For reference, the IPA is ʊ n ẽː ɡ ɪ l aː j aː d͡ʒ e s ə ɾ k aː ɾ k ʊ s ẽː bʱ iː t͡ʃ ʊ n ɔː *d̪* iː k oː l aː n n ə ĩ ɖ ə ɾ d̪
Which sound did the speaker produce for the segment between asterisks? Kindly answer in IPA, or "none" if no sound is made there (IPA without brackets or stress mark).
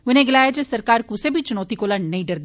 t̪